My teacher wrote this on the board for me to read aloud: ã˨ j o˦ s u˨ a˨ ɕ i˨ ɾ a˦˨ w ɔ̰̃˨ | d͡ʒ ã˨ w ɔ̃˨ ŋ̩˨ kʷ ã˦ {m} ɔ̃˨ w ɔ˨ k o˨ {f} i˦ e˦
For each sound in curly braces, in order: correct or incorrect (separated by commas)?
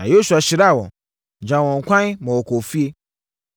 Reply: correct, correct